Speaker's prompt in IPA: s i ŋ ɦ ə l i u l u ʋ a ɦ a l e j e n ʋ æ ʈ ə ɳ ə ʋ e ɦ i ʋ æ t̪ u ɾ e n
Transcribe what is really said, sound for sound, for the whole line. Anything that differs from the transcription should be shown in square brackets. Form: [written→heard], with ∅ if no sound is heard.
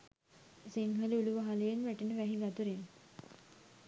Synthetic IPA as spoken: s i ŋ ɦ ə l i u l u ʋ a ɦ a l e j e n ʋ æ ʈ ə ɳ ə ʋ [e→æ] ɦ i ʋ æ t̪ u ɾ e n